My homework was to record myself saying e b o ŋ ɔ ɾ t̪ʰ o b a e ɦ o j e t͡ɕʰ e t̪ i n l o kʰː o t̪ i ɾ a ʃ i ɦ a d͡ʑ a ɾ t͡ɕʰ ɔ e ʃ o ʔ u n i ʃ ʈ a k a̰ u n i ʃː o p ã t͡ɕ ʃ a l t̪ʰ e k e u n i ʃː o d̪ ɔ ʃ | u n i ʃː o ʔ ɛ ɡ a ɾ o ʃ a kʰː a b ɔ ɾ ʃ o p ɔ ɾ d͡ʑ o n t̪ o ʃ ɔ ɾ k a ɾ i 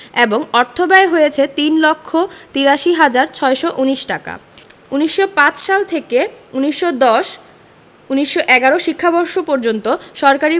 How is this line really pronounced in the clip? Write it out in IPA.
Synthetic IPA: e b o ŋ ɔ ɾ t̪ʰ o b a e ɦ o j e t͡ɕʰ e t̪ i n l o kʰː o t̪ i ɾ a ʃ i ɦ a d͡ʑ a ɾ t͡ɕʰ ɔ e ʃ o ʔ u n i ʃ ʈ a k a̰ u n i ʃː o p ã t͡ɕ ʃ a l t̪ʰ e k e u n i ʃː o d̪ ɔ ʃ | u n i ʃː o ʔ ɛ ɡ a ɾ o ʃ i kʰː a b ɔ ɾ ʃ o p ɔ ɾ d͡ʑ o n t̪ o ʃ ɔ ɾ k a ɾ i

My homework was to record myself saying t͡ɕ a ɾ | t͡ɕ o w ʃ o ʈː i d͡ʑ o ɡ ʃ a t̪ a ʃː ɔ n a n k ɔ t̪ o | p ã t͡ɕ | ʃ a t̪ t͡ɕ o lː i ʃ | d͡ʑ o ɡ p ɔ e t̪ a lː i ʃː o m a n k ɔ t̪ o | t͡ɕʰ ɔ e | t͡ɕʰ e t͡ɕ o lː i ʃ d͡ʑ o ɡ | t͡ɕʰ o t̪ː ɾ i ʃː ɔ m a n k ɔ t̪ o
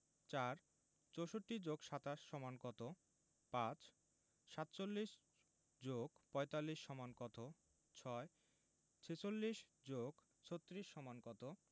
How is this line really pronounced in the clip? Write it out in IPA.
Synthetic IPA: t͡ɕ a ɾ | t͡ɕ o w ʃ o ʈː i d͡ʑ o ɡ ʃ a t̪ a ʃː ɔ m a n k ɔ t̪ o | p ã t͡ɕ | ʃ a t̪ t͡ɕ o lː i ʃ | d͡ʑ o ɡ p ɔ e t̪ a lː i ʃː ɔ m a n k ɔ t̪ o | t͡ɕʰ ɔ e | t͡ɕʰ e t͡ɕ o lː i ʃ d͡ʑ o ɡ | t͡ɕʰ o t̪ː ɾ i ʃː ɔ m a n k ɔ t̪ o

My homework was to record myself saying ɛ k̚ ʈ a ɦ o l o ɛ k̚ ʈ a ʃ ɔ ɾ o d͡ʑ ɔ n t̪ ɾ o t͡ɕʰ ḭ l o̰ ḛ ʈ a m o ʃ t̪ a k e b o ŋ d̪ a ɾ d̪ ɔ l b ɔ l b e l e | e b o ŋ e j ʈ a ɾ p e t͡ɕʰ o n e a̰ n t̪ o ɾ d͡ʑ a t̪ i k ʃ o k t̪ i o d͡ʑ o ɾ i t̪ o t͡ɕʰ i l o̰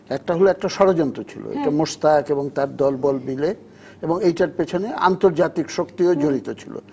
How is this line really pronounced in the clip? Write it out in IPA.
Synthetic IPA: ɛ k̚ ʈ a ɦ o l o ɛ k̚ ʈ a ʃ ɔ ɾ o d͡ʑ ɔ n t̪ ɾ o t͡ɕʰ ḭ l o̰ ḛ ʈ a m o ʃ t̪ a k e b o ŋ t̪ a ɾ d̪ ɔ l b ɔ l b i l e | e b o ŋ e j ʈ a ɾ p e t͡ɕʰ o n e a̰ n t̪ o ɾ d͡ʑ a t̪ i k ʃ o k t̪ i o d͡ʑ o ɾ i t̪ o t͡ɕʰ i l o̰

